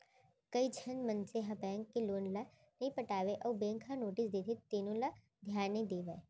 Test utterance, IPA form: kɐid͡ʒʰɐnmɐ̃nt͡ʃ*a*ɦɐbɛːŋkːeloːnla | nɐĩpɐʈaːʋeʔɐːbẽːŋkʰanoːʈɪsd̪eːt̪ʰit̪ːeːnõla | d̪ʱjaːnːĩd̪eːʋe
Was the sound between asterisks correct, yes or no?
no